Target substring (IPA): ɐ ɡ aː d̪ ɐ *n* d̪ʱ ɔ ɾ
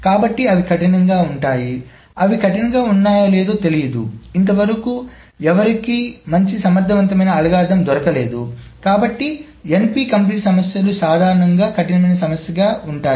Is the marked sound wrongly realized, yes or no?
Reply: yes